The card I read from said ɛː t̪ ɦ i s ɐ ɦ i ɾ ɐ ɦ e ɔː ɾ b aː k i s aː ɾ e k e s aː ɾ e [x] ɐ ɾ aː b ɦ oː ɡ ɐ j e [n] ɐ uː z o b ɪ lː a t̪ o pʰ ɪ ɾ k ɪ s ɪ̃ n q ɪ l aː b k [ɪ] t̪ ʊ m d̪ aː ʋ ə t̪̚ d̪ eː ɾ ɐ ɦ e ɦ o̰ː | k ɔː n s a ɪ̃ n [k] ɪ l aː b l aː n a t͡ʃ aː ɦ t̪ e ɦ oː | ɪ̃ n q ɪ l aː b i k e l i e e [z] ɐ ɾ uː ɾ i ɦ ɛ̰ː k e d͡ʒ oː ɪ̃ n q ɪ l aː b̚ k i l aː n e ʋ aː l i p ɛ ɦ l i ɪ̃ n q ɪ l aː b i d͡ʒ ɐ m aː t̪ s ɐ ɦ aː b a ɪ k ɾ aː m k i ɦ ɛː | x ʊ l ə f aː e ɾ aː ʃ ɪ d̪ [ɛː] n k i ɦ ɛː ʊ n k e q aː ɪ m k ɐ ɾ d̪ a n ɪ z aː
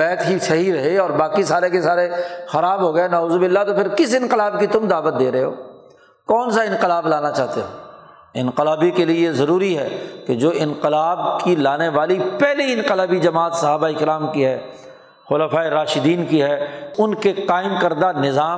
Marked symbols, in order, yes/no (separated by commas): yes, yes, no, no, yes, no